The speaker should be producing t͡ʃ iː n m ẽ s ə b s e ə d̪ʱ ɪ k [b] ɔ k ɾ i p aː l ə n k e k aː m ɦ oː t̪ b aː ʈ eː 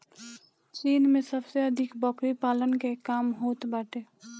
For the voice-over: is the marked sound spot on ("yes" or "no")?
yes